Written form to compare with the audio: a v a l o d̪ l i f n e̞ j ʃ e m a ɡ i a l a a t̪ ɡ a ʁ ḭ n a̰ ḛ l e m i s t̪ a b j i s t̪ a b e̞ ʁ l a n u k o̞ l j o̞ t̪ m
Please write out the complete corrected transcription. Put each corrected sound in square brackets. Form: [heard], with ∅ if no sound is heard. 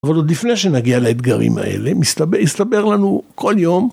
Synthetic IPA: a v a l o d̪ l i f n e̞ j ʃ e [n] a ɡ i a l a [e] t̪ ɡ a ʁ ḭ [m] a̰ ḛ l e m i s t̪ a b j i s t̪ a b e̞ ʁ l a n u k o̞ l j o̞ [∅] m